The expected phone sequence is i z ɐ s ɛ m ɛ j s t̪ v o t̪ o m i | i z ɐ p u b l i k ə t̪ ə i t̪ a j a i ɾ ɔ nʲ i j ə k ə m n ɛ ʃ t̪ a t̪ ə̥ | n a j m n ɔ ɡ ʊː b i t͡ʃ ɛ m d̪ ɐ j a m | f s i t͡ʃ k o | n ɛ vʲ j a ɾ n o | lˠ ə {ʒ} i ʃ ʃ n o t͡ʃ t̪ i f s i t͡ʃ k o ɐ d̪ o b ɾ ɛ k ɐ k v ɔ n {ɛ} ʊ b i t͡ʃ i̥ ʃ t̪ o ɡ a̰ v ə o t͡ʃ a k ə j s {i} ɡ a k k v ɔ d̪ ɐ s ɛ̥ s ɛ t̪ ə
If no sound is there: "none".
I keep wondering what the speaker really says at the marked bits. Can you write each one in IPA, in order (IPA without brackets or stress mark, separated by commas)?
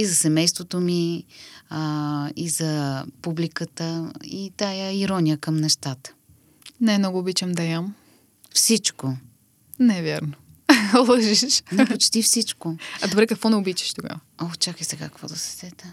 ʒ, ɛ, ɛ